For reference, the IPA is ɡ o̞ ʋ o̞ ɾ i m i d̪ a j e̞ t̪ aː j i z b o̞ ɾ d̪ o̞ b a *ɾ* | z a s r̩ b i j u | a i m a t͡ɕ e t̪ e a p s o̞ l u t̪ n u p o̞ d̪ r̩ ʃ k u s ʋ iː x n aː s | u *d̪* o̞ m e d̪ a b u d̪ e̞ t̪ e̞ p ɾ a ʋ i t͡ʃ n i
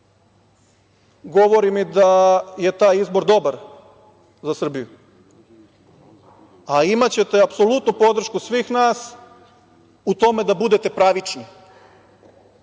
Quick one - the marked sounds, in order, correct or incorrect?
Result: correct, incorrect: t̪

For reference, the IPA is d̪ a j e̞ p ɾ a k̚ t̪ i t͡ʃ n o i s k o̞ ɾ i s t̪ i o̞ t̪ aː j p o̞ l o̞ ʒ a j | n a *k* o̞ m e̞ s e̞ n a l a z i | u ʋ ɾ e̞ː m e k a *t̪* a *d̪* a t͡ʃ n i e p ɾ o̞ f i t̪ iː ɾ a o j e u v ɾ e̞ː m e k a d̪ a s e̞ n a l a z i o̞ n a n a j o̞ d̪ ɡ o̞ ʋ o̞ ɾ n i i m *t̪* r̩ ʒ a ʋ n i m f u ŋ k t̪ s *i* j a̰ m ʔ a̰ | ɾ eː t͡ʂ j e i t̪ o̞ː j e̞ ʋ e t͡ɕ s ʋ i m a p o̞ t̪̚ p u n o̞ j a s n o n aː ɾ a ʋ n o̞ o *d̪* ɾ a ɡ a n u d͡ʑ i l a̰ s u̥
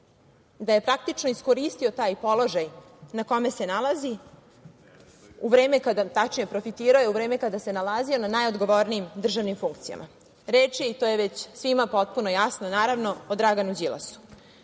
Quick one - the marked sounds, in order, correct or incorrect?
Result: correct, incorrect: d̪, incorrect: t̪, incorrect: d̪, correct, correct

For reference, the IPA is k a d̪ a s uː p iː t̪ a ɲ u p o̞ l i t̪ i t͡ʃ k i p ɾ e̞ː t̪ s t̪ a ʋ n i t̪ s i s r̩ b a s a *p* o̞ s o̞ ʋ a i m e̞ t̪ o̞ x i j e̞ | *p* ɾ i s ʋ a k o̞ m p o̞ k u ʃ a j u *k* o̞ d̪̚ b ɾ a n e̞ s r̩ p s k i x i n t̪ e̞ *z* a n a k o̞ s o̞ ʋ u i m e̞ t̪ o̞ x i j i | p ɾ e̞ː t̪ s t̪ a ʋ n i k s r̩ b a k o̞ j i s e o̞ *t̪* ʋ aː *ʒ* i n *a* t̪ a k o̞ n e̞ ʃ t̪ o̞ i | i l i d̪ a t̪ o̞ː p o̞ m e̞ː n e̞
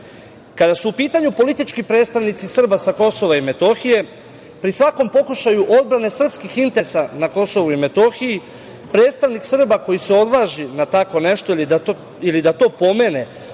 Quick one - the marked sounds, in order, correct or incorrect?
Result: incorrect: k, correct, incorrect: ʔ, incorrect: s, incorrect: d̪, correct, correct

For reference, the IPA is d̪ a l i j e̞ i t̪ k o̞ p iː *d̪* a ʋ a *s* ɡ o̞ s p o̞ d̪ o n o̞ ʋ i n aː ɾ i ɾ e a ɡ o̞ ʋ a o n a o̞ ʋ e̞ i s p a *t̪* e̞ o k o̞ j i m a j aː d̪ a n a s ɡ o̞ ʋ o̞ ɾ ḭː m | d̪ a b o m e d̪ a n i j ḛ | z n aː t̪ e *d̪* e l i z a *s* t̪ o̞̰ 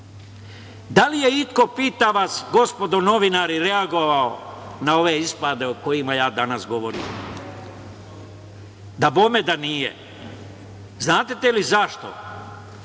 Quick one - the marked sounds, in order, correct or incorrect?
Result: incorrect: t̪, correct, incorrect: d̪, incorrect: t̪, incorrect: ʃ

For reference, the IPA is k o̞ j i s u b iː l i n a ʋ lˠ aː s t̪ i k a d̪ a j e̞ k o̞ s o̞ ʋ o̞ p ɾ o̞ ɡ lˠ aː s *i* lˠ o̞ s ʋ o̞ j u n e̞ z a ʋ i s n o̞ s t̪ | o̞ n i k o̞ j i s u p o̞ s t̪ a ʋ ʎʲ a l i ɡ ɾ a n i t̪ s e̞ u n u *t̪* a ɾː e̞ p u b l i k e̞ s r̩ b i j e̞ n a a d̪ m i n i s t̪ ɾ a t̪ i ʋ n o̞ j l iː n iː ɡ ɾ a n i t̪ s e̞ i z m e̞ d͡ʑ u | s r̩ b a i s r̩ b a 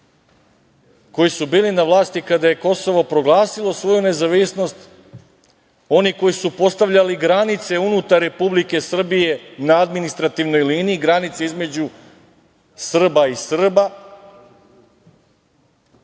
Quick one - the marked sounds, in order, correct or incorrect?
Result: correct, correct

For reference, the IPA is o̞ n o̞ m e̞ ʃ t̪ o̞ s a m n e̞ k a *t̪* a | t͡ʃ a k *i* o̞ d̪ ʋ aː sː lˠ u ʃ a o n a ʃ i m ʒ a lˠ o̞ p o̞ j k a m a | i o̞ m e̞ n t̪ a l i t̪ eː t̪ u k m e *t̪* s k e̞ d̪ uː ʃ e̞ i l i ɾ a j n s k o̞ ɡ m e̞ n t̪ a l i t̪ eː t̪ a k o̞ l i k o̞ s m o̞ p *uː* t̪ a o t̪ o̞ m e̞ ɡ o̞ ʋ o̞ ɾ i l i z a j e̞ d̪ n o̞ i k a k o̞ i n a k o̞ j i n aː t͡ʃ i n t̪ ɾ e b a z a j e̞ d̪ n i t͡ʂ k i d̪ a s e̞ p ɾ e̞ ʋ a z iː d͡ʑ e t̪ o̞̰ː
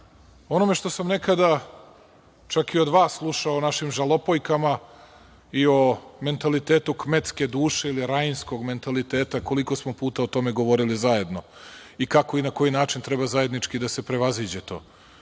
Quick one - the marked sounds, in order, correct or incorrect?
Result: incorrect: d̪, correct, correct, correct

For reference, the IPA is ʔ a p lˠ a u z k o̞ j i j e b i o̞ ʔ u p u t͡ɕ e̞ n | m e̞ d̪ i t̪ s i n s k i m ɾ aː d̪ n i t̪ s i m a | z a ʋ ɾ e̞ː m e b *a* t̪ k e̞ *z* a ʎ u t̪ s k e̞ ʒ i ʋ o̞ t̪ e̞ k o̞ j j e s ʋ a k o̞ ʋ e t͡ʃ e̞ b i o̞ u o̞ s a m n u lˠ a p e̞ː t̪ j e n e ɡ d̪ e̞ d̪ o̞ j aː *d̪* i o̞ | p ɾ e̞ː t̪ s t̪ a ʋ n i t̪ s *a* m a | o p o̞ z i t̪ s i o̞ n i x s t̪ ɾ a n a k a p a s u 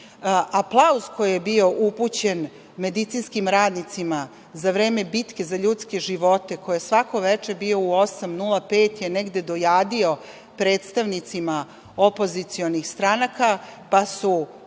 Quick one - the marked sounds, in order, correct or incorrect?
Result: incorrect: i, correct, correct, incorrect: i

